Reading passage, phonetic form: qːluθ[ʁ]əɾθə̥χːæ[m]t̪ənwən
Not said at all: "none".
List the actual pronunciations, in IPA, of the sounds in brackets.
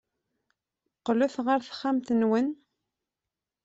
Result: ʁ, m

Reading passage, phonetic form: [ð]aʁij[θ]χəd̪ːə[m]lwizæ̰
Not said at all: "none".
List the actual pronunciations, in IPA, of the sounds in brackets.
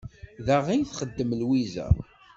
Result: ð, θ, m

